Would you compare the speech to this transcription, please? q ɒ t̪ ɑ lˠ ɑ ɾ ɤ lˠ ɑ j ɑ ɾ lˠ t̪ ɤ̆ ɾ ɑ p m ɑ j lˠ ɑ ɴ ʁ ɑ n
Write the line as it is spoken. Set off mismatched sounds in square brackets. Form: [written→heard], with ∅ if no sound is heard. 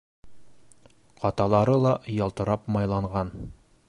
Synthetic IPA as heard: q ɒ t̪ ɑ lˠ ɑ ɾ ɤ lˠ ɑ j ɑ [ɾ→∅] lˠ t̪ ɤ̆ ɾ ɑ p m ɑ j lˠ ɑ ɴ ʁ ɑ n